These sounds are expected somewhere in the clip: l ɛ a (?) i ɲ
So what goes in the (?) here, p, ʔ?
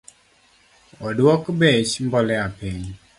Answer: p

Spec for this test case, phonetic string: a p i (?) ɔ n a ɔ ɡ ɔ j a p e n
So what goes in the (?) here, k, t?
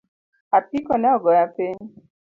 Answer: k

